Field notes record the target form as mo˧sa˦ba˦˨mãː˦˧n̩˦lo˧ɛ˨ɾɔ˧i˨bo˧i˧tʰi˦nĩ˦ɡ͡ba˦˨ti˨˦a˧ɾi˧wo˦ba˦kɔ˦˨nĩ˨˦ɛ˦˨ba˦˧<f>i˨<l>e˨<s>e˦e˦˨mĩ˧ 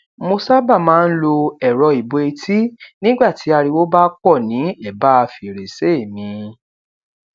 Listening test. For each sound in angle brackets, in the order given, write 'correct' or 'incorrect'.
correct, incorrect: ɾ, correct

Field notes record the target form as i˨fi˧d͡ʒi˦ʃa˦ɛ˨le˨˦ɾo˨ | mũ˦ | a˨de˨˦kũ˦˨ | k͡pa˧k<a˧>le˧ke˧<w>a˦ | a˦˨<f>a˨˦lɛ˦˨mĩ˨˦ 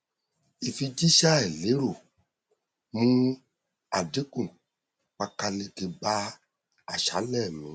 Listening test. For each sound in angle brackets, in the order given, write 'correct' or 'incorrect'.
correct, incorrect: b, incorrect: ʃ

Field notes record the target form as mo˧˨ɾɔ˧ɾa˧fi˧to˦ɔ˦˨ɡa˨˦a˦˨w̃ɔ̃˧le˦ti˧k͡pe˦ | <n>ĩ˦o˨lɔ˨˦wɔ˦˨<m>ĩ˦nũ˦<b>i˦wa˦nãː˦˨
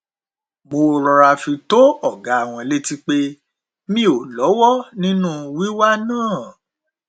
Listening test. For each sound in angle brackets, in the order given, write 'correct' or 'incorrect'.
incorrect: m, incorrect: n, incorrect: w

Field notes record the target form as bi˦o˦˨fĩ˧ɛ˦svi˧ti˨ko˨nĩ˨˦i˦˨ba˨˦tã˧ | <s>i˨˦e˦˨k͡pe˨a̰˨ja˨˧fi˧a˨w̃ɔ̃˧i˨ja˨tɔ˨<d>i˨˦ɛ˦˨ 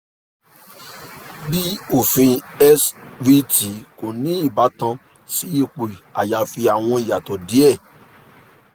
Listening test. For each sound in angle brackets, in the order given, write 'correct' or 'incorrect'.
correct, correct

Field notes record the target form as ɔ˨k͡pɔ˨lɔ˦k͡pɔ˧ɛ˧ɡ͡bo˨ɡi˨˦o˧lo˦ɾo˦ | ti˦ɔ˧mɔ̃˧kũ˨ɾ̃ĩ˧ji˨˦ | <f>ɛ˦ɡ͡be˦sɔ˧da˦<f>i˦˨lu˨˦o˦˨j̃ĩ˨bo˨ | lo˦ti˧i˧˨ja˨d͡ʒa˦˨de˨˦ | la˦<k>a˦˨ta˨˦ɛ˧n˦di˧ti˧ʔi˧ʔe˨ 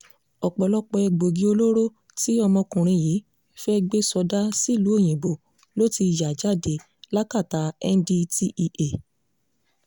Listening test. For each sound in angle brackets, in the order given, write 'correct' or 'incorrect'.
correct, incorrect: s, correct

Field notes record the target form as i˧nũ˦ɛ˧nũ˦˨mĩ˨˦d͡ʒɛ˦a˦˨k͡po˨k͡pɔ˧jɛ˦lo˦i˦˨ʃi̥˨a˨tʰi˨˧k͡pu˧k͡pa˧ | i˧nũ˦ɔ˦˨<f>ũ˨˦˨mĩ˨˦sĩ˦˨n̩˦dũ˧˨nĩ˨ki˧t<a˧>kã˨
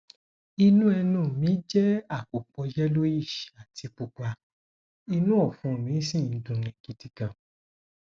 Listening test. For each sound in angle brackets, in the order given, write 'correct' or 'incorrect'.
correct, incorrect: i˧

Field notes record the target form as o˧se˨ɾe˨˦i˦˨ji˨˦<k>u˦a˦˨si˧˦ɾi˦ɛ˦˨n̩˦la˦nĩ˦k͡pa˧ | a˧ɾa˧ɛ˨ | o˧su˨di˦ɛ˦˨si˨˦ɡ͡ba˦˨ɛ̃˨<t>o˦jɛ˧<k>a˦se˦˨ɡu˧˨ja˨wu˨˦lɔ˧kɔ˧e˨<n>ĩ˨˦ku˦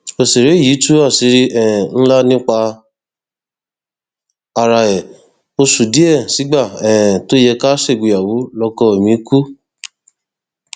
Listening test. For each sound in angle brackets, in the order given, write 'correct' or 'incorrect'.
incorrect: t, correct, correct, incorrect: m

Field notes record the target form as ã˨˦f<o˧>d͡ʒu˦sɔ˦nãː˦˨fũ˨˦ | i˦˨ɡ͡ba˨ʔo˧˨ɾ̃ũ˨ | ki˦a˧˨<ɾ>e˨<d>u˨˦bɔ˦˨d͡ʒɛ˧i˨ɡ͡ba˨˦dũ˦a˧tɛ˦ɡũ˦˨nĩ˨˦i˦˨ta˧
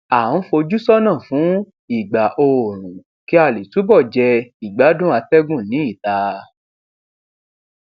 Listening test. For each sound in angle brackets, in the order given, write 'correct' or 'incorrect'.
correct, incorrect: l, incorrect: t

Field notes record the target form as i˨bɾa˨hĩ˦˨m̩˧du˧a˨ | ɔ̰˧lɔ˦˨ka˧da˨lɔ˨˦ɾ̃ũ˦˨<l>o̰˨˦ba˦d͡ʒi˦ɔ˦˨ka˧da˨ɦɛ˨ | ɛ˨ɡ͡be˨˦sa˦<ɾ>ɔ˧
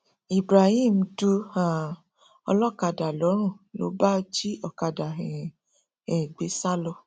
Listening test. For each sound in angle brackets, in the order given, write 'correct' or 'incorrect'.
correct, incorrect: l

